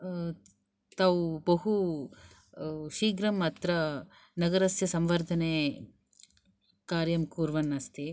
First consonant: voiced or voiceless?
voiceless